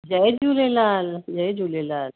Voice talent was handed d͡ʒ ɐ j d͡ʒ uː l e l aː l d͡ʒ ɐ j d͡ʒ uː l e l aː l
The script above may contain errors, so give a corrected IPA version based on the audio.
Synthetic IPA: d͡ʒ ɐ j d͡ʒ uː l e l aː l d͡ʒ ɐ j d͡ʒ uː l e l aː l

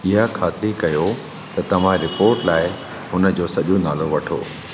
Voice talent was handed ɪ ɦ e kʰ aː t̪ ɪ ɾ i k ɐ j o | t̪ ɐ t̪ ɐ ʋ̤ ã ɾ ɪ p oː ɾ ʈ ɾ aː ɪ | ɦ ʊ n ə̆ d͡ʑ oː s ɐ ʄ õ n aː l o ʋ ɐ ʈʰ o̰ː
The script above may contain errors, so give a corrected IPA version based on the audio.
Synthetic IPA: ɪ ɦ a kʰ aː t̪ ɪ ɾ i k ɐ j o | t̪ ɐ t̪ ɐ ʋ̤ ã ɾ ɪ p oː ɾ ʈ l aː ɪ | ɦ ʊ n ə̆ d͡ʑ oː s ɐ ʄ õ n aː l o ʋ ɐ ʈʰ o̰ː

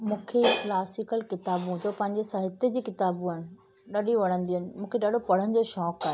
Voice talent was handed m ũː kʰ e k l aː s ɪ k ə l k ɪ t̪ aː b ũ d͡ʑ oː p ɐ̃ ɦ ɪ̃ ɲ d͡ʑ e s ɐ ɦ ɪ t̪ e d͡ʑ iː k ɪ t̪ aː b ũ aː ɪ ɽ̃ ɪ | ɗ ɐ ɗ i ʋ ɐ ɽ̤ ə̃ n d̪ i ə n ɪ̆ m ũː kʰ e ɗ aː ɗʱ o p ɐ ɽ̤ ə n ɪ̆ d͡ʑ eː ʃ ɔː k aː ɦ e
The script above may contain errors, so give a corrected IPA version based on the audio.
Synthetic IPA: m ũː kʰ e k l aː s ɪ k ə l k ɪ t̪ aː b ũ d͡ʑ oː p ɐ̃ ɦ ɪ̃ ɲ d͡ʑ e s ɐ ɦ ɪ t̪ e d͡ʑ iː k ɪ t̪ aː b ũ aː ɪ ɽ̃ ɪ | ɗ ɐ ɗ i ʋ ɐ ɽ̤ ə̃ n d̪ i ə n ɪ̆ m ũː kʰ e ɗ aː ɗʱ o p ɐ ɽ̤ ə n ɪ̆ d͡ʑ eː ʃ ɔː k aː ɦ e

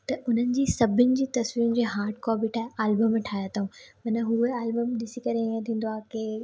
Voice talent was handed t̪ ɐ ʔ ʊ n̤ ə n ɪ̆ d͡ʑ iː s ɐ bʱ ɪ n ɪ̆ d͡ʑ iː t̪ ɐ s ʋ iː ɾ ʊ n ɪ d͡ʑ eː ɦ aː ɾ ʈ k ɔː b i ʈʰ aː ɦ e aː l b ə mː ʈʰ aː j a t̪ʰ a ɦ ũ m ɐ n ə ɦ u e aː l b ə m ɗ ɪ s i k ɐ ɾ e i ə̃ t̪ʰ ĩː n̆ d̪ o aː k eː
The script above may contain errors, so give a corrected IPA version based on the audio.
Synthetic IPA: t̪ ɐ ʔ ʊ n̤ ə n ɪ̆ d͡ʑ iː s ɐ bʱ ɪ n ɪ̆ d͡ʑ iː t̪ ɐ s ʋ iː ɾ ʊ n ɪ d͡ʑ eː ɦ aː ɾ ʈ k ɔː b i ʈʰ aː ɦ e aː l b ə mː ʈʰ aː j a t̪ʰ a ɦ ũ m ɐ n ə ɦ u e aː l b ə m ɗ ɪ s i k ɐ ɾ e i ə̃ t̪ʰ ĩː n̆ d̪ o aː k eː

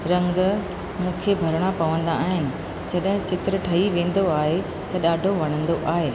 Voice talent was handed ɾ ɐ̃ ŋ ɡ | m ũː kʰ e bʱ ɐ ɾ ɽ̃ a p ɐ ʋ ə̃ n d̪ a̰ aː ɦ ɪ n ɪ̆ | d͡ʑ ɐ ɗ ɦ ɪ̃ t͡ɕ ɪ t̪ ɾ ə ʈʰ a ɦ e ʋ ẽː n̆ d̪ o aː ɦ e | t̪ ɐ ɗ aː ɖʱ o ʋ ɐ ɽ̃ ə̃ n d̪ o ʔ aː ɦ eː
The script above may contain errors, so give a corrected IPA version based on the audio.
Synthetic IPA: ɾ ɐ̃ ŋ ɡ | m ũː kʰ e bʱ ɐ ɾ ɽ̃ a p ɐ ʋ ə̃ n d̪ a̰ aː ɦ ɪ n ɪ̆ | d͡ʑ ɐ ɗ ɦ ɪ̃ t͡ɕ ɪ t̪ ɾ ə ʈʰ ɐ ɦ i ʋ ẽː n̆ d̪ o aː ɦ e | t̪ ɐ ɗ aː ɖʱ o ʋ ɐ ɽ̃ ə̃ n d̪ o ʔ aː ɦ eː

